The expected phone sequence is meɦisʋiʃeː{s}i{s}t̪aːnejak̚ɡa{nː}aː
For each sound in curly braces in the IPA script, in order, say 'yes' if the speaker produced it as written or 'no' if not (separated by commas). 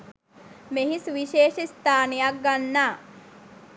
no, yes, yes